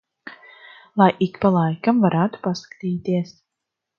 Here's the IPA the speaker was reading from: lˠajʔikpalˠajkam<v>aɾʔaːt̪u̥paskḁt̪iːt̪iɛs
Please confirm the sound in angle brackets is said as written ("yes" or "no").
yes